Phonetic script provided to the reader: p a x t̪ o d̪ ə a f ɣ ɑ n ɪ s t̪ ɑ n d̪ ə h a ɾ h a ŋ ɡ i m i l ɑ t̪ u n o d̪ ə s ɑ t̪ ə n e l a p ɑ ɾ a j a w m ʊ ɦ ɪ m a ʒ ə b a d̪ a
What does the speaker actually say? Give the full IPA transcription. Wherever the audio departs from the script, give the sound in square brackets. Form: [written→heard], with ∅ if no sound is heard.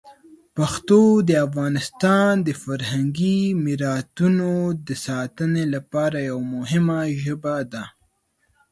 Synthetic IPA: p a x t̪ o d̪ ə a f ɣ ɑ n ɪ s t̪ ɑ n d̪ ə [h→f] a ɾ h a ŋ ɡ i m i [l→ɾ] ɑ t̪ u n o d̪ ə s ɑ t̪ ə n e l a p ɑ ɾ a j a w m ʊ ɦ ɪ m a ʒ ə b a d̪ a